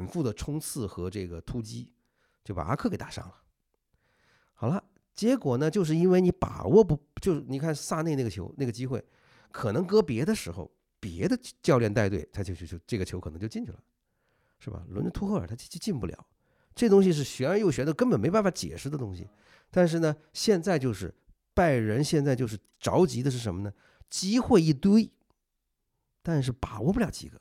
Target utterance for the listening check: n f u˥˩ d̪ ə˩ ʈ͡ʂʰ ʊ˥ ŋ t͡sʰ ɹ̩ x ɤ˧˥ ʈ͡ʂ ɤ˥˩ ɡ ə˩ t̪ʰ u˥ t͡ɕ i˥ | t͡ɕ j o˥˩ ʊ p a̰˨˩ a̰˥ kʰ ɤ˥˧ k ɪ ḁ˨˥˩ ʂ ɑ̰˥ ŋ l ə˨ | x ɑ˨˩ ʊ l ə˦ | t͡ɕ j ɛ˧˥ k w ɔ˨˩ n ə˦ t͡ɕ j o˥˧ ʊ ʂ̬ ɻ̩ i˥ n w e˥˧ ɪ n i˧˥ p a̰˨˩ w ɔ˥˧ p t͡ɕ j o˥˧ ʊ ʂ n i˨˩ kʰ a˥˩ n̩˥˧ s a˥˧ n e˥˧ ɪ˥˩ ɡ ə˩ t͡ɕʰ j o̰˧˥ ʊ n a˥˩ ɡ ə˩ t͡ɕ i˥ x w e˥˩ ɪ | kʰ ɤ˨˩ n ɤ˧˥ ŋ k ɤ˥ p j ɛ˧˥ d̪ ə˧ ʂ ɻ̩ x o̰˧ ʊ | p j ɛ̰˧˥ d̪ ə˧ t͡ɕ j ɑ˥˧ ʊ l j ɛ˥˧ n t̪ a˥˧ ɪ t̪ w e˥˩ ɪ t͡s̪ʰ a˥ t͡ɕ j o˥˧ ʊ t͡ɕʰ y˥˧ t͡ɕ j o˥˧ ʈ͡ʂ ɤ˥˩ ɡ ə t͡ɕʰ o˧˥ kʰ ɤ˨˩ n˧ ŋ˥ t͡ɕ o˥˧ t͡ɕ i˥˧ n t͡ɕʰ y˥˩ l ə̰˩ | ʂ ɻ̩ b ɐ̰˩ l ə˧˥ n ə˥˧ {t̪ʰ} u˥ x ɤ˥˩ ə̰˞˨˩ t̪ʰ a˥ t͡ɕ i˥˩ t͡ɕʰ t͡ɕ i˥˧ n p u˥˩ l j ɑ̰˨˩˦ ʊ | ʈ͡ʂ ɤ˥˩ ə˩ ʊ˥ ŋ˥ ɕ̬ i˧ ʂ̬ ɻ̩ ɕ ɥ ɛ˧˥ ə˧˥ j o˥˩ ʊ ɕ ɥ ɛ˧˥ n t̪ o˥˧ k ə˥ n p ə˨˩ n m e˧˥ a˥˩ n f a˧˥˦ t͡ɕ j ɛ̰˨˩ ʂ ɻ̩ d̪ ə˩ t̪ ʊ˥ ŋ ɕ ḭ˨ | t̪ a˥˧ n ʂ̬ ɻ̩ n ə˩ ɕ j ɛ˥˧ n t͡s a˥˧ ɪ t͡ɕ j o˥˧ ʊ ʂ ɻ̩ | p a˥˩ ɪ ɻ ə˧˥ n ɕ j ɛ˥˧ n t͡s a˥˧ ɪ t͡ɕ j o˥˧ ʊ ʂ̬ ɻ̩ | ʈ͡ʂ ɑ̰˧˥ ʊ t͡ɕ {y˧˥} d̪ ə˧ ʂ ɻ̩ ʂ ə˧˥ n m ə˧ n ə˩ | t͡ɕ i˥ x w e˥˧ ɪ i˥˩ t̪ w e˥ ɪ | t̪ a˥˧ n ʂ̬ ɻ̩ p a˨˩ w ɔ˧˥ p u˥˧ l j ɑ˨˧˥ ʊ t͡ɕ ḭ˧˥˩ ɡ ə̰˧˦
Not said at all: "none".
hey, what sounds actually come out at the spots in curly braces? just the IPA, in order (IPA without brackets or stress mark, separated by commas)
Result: t̪ʰ, i˧˥